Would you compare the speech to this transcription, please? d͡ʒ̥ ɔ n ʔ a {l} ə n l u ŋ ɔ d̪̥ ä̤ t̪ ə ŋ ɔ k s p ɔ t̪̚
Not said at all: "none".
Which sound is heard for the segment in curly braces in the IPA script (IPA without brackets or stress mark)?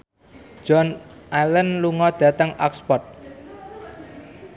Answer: l